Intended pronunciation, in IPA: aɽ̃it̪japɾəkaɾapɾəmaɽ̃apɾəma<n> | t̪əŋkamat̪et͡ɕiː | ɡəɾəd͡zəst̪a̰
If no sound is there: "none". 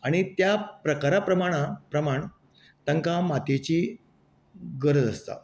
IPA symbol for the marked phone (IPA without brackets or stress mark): ɳ